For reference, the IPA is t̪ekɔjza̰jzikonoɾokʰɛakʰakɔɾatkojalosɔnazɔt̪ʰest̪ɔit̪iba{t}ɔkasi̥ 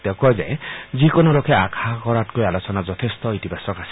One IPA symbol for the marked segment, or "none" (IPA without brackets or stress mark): s